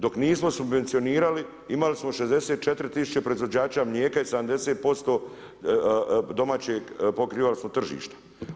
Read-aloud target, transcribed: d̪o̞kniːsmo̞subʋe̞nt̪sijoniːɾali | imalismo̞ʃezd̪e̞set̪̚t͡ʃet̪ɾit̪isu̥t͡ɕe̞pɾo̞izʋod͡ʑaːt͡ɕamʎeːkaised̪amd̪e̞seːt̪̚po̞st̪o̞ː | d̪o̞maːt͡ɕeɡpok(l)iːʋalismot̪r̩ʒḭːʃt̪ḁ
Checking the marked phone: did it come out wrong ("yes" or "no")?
yes